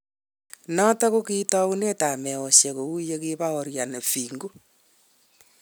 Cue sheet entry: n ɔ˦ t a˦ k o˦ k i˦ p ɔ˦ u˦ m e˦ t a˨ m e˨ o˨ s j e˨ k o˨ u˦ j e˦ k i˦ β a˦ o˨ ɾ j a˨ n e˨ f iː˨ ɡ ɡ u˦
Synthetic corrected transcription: n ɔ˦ t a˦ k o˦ k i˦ t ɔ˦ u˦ n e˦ t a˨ m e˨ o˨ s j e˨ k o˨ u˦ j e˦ k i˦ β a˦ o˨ ɾ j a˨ n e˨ f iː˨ ŋ ɡ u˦

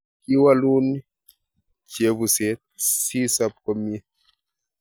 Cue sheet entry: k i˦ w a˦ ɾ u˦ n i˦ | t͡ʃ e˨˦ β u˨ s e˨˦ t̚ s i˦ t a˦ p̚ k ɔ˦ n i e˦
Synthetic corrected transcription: k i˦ w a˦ l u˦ n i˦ | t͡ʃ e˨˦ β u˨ s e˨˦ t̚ s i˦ s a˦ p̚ k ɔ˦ m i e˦

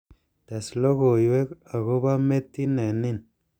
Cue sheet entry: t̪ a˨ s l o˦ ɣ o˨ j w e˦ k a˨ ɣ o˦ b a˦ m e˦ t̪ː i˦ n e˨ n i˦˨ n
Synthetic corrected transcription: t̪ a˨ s l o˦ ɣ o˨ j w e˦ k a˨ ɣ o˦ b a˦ m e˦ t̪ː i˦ n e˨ n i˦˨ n

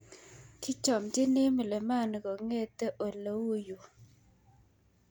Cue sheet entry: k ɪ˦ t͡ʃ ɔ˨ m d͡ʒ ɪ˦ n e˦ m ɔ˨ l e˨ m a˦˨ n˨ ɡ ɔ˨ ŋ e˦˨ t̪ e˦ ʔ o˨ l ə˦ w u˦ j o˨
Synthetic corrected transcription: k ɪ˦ t͡ʃ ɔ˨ m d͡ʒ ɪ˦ n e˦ m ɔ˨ l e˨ m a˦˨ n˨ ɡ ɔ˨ ŋ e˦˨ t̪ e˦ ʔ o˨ l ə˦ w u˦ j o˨

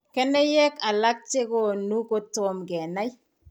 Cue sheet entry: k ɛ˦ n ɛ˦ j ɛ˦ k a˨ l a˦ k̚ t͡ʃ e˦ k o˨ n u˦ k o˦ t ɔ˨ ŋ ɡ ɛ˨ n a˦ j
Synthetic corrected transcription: k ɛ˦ n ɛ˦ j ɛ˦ k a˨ l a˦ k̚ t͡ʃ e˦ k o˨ n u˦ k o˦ t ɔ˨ m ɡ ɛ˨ n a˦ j

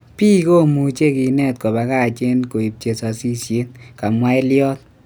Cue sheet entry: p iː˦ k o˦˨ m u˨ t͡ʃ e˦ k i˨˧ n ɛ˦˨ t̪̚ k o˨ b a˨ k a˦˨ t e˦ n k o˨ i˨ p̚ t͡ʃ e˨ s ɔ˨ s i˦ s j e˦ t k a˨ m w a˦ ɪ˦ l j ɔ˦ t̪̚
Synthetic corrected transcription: p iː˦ k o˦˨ m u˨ t͡ʃ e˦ k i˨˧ n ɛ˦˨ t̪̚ k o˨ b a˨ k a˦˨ t͡ʃ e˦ n k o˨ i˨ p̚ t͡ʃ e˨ s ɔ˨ s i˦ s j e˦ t k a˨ m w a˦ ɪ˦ l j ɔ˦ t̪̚

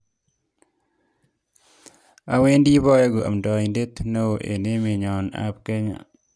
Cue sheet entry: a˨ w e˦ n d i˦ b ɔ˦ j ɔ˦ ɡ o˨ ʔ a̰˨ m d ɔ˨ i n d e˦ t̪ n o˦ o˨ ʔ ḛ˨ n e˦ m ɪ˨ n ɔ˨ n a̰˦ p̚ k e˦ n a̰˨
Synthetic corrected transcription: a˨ w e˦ n d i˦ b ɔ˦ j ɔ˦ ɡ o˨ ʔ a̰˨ m d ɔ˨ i n d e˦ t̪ n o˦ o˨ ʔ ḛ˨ n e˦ m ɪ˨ ɲ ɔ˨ n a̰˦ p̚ k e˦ ɲ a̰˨

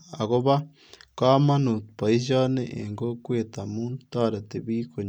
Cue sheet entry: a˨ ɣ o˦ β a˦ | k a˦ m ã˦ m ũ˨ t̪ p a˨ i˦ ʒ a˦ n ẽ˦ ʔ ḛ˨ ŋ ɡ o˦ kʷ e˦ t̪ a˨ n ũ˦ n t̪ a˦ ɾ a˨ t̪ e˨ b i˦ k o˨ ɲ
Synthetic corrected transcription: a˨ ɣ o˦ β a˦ | k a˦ m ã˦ n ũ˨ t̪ p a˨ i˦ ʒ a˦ n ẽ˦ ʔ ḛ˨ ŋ ɡ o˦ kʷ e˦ t̪ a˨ m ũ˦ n t̪ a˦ ɾ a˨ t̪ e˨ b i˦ k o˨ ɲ

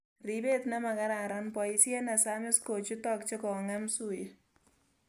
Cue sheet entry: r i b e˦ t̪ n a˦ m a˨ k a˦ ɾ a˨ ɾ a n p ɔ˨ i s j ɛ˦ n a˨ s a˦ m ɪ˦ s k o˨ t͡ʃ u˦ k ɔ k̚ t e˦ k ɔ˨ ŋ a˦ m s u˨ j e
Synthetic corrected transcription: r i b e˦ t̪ n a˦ m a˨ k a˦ ɾ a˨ ɾ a n p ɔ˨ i s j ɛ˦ n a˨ s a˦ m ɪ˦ s k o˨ t͡ʃ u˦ t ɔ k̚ t͡ʃ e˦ k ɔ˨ ŋ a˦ m s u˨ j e

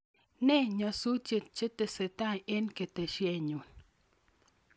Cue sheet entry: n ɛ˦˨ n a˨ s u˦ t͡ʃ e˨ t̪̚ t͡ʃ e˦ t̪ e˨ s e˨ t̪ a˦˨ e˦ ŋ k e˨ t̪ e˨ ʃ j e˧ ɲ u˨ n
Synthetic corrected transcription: n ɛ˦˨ ɲ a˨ s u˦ t͡ʃ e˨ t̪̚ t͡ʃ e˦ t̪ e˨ s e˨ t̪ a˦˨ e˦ n k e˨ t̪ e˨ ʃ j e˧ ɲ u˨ n

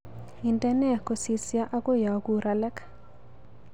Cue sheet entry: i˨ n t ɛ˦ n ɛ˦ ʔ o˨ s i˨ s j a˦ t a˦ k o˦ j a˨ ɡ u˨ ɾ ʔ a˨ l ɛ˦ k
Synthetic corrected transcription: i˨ n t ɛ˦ n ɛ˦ k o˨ s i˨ s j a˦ ʔ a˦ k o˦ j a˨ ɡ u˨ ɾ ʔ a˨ l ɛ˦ k

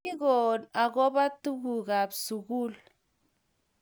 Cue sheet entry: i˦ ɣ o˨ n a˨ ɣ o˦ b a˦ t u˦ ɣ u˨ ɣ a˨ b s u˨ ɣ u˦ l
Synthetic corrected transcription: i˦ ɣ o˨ n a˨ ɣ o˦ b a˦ t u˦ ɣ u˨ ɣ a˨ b s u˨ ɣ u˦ l

